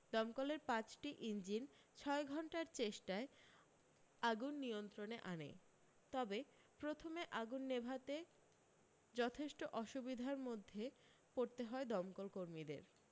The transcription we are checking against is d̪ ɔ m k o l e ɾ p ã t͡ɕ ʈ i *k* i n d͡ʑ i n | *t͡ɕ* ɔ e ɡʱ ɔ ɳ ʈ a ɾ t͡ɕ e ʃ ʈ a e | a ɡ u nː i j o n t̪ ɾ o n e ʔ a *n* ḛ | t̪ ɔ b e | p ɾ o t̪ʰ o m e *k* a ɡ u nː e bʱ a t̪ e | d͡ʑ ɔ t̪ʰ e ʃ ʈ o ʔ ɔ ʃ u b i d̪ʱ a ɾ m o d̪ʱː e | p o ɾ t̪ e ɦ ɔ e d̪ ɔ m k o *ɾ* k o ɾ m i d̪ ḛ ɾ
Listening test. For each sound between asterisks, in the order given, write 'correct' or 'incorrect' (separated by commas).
incorrect, incorrect, correct, incorrect, incorrect